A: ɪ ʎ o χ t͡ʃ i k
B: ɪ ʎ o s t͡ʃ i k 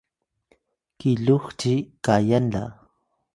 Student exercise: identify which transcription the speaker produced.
A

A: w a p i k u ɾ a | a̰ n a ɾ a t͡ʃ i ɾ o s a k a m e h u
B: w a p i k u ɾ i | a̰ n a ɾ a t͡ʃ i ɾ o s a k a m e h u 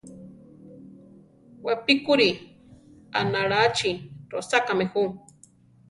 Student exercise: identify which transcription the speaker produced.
B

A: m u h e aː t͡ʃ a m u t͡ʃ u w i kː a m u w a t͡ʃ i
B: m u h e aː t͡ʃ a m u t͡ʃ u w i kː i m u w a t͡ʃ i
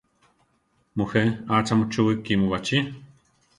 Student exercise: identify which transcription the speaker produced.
B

